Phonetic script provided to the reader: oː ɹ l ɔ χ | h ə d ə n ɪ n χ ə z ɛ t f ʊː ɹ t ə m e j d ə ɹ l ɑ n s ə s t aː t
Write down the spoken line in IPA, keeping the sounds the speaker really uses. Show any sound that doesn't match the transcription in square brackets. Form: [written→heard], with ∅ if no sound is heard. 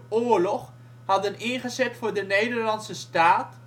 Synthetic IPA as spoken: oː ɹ l ɔ χ | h [ə→ɑ] d ə n ɪ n χ ə z ɛ t f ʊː ɹ [t→d] ə [m→n] e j d ə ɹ l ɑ n s ə s t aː t

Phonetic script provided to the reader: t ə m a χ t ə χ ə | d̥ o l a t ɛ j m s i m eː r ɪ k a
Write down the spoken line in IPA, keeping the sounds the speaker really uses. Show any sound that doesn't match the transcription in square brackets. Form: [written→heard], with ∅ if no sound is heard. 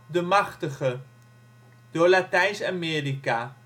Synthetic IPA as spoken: [t→d] ə m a χ t ə χ ə | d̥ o l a t ɛ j [m→n] s [i→a] m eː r [ɪ→i] k a

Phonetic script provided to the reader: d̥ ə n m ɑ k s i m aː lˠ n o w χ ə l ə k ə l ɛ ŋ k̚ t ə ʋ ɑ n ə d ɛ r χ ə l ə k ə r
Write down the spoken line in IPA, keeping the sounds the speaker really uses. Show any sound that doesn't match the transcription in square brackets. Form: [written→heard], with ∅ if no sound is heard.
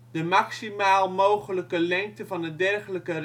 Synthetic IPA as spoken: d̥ ə [n→∅] m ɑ k s i m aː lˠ [n→m] o w χ ə l ə k ə l ɛ ŋ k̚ t ə [ʋ→v] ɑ n ə d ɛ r χ ə l ə k ə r

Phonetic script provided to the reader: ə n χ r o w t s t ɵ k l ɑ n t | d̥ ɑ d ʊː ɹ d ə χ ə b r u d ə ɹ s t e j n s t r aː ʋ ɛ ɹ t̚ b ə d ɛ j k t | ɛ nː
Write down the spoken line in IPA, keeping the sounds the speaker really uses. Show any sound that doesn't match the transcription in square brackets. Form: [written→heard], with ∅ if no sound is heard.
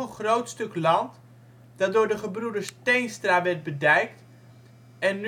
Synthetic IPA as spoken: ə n χ r o w t s t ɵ k l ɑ n t | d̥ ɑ d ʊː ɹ d ə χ ə b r u d ə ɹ s t e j n s t r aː ʋ ɛ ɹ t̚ b ə d ɛ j k t | ɛ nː

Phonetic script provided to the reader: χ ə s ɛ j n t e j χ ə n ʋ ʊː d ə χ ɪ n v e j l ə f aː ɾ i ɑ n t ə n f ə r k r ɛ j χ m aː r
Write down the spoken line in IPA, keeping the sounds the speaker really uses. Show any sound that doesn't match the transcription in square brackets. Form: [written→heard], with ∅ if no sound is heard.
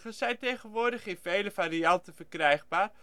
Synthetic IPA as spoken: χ ə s ɛ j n t e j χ ə n ʋ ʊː d ə χ ɪ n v e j l ə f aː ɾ i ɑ n t ə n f ə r k r ɛ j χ [m→b] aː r

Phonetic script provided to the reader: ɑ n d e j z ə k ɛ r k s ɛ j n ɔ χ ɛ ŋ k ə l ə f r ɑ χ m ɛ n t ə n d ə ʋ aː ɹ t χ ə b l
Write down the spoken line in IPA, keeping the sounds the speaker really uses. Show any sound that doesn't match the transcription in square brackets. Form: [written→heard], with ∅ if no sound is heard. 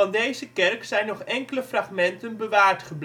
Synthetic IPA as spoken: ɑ n d e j z ə k ɛ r k s ɛ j n ɔ χ ɛ ŋ k ə l ə f r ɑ χ m ɛ n t ə n [d→b] ə ʋ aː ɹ t χ ə b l

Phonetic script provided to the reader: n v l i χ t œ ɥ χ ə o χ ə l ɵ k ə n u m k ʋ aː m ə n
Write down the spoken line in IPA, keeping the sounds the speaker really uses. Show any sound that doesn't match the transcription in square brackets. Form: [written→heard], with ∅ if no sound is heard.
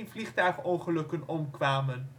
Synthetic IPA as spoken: n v l i χ t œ ɥ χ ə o χ ə l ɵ k ə n [u→ɔ] m k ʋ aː m ə n

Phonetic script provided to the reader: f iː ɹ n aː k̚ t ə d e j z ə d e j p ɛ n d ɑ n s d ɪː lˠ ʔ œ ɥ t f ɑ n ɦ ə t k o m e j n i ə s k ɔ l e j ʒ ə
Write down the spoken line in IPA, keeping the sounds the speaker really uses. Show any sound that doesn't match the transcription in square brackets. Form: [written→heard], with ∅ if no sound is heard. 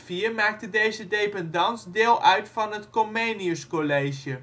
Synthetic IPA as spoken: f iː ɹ [n→m] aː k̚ t ə d e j z ə d e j p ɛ n d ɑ n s d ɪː lˠ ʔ œ ɥ t f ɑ n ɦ ə t k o m e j n i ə s k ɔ l e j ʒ ə

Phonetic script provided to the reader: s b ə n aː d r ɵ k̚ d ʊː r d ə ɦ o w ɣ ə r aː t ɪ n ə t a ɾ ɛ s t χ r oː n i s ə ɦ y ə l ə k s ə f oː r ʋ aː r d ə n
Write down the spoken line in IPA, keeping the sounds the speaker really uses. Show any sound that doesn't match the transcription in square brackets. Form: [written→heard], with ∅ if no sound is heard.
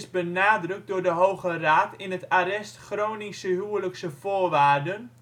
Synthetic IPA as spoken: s b ə n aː d r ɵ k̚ d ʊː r d ə ɦ o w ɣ ə r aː t ɪ n ə t a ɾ ɛ s t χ r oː n i s ə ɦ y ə l ə k s ə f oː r ʋ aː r d ə n

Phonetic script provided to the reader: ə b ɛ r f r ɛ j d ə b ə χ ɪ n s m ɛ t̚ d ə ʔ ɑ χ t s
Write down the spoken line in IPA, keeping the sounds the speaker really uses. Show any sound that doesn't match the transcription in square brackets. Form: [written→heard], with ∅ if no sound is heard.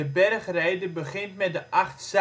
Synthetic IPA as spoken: ə b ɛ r [f→χ] r ɛ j d ə b ə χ ɪ n [s→t] m ɛ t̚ d ə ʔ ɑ χ t s

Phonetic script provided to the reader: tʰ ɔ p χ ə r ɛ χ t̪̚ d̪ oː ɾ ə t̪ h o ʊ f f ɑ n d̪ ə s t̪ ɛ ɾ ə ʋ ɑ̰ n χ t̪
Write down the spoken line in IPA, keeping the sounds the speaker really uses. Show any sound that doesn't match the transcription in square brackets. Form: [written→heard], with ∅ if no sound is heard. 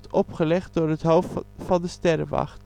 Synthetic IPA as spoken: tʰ ɔ p χ ə [r→l] ɛ χ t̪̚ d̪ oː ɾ ə t̪ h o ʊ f f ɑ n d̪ ə s t̪ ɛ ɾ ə ʋ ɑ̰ [n→∅] χ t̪

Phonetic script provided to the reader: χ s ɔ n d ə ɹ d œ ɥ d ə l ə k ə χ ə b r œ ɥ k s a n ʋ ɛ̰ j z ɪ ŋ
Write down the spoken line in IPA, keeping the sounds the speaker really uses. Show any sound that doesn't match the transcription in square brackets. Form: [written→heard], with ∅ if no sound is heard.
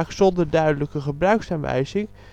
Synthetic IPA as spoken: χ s ɔ n d ə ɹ d œ ɥ d ə l ə k ə χ ə b r œ ɥ k s a n ʋ ɛ̰ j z ɪ ŋ

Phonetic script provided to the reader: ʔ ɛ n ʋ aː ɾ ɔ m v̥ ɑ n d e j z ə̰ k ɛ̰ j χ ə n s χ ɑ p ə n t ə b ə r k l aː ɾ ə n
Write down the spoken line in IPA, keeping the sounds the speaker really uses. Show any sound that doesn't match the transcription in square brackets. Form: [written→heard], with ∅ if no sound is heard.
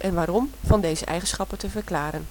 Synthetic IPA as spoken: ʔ ɛ n ʋ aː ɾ ɔ m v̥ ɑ n d e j z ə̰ [k→ʔ] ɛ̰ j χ ə n s χ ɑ p ə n t ə [b→v] ə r k l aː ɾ ə n

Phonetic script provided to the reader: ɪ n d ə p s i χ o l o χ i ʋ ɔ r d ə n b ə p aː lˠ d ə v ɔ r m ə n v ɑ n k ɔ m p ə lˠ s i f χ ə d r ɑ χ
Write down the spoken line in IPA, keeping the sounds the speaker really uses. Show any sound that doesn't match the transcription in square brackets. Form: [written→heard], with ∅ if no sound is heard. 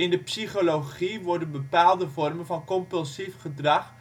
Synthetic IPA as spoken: ɪ n d ə p s i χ o l o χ i ʋ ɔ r d ə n b ə p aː lˠ d ə v ɔ r m ə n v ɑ n k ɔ m p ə lˠ s i f χ ə d r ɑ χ

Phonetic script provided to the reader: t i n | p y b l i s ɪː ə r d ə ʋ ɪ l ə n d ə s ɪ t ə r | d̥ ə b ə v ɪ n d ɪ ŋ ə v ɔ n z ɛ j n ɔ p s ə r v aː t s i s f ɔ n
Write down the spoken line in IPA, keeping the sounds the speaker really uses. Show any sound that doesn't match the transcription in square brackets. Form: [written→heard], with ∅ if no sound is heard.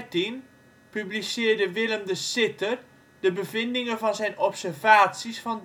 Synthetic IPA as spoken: t i n | p y b l i s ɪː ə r d ə ʋ ɪ l ə [n→m] d ə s ɪ t ə r | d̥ ə b ə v ɪ n d ɪ ŋ ə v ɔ n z ɛ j n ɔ p s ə r v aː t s i s f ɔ n

